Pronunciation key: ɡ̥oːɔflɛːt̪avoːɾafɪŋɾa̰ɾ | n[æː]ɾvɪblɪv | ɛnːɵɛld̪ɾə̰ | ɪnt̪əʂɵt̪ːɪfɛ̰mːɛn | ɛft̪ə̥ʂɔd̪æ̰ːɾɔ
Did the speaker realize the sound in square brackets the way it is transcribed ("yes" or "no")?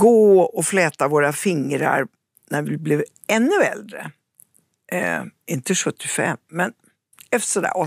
no